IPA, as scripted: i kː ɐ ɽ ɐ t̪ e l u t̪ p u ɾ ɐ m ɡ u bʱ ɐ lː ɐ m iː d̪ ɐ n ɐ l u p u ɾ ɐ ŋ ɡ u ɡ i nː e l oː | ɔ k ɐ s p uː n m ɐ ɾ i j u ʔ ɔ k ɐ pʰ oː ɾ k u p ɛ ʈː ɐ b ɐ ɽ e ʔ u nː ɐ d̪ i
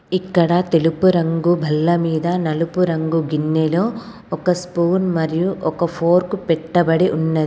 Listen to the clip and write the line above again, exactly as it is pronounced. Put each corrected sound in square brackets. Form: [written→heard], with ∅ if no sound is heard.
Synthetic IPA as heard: i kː ɐ ɽ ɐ t̪ e l u [t̪→∅] p u ɾ ɐ [m→ŋ] ɡ u bʱ ɐ lː ɐ m iː d̪ ɐ n ɐ l u p u ɾ ɐ ŋ ɡ u ɡ i nː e l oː | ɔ k ɐ s p uː n m ɐ ɾ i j u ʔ ɔ k ɐ pʰ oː ɾ k u p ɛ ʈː ɐ b ɐ ɽ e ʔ u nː ɐ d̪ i

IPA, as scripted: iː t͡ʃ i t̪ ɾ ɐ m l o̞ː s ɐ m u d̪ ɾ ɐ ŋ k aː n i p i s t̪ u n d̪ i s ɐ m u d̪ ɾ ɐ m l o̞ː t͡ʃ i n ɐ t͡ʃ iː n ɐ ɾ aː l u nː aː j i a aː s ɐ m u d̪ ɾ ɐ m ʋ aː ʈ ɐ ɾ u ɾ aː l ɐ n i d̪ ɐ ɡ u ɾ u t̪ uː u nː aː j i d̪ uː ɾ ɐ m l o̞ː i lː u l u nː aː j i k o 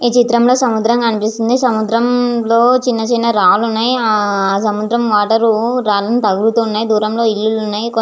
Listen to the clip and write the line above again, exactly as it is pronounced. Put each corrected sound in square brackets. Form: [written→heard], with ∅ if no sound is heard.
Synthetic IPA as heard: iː t͡ʃ i t̪ ɾ ɐ m l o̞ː s ɐ m u d̪ ɾ ɐ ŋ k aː n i p i s t̪ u n d̪ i s ɐ m u d̪ ɾ ɐ m l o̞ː t͡ʃ i [n→nː] ɐ t͡ʃ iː n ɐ ɾ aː l u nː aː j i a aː s ɐ m u d̪ ɾ ɐ m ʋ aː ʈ ɐ ɾ u ɾ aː l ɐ n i [d̪→t̪] ɐ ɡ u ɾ u t̪ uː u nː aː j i d̪ uː ɾ ɐ m l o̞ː i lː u l u nː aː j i k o

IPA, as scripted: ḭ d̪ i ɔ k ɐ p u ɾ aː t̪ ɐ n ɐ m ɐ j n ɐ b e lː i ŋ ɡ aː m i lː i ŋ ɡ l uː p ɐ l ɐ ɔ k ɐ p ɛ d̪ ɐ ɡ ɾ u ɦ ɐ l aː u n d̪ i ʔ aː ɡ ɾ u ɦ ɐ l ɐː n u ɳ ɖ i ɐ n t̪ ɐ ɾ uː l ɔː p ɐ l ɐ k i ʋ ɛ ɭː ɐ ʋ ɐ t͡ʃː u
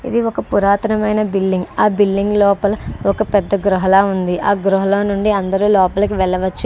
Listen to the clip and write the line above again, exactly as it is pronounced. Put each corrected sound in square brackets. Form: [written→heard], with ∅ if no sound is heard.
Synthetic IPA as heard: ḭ d̪ i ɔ k ɐ p u ɾ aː t̪ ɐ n ɐ m ɐ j n ɐ b [e→i] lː i ŋ ɡ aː [m→b] i lː i ŋ ɡ l [uː→ɔː] p ɐ l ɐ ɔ k ɐ p ɛ [d̪→d̪ː] ɐ ɡ ɾ u ɦ ɐ l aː u n d̪ i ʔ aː ɡ ɾ u ɦ ɐ l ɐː n u ɳ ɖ i ɐ n [t̪→d̪] ɐ ɾ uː l ɔː p ɐ l ɐ k i ʋ ɛ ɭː ɐ ʋ ɐ t͡ʃː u

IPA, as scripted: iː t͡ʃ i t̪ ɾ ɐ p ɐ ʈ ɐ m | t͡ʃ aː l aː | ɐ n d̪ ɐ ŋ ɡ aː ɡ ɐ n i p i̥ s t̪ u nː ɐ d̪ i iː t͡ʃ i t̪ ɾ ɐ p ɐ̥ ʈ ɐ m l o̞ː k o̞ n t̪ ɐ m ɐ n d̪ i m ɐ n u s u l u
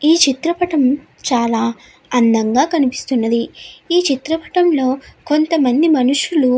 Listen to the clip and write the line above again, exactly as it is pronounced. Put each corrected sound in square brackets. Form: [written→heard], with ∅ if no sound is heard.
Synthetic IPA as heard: iː t͡ʃ i t̪ ɾ ɐ p ɐ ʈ ɐ m | t͡ʃ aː l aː | ɐ n d̪ ɐ ŋ ɡ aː [ɡ→k] ɐ n i p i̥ s t̪ u nː ɐ d̪ i iː t͡ʃ i t̪ ɾ ɐ p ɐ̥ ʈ ɐ m l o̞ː k o̞ n t̪ ɐ m ɐ n d̪ i m ɐ n u [s→ʂ] u l u

